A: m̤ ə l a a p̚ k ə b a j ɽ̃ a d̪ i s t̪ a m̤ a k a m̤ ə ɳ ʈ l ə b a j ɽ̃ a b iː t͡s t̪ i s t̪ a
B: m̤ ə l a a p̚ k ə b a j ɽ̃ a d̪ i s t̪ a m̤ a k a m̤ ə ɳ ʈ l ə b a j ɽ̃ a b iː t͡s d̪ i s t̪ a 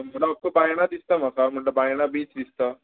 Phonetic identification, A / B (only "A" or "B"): B